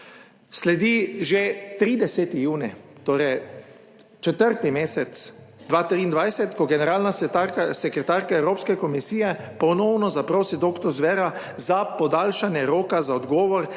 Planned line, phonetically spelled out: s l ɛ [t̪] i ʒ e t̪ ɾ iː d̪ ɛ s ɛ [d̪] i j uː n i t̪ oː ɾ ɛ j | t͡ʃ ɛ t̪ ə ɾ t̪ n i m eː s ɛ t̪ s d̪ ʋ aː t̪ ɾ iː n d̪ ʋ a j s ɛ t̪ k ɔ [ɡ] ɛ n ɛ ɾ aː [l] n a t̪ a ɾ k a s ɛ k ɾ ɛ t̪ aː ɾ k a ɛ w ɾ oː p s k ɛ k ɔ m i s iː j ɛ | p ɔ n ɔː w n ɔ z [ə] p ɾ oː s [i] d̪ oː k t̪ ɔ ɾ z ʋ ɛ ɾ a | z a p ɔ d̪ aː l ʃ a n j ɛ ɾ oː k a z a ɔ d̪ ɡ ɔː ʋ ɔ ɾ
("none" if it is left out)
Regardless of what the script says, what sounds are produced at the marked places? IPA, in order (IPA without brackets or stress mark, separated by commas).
d̪, t̪, ɡ, l, a, i